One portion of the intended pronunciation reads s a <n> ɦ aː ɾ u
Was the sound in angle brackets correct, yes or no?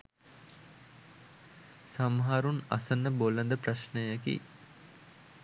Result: no